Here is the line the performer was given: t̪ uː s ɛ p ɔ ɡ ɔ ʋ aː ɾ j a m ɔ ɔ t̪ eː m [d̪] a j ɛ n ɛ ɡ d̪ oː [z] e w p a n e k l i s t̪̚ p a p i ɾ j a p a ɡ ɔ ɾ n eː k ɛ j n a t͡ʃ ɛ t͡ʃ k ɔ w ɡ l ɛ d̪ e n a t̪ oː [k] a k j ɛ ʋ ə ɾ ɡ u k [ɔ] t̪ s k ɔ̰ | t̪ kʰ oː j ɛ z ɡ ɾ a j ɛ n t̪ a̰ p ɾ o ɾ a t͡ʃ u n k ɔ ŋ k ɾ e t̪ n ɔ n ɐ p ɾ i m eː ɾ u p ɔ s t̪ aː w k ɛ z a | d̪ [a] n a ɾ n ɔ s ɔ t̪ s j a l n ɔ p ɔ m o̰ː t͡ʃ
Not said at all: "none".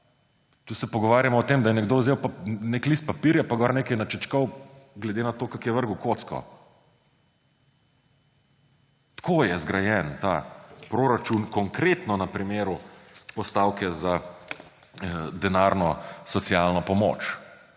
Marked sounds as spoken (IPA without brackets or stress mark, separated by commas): d̪, z, k, o, ɛ